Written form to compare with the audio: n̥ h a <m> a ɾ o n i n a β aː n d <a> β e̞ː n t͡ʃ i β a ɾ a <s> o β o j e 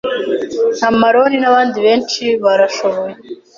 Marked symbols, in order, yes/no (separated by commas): yes, no, no